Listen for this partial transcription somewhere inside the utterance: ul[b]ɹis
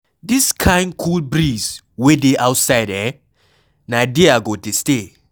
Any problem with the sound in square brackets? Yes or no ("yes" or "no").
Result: no